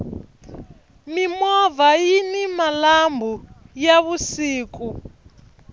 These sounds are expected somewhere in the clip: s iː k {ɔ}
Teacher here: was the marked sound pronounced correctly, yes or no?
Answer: no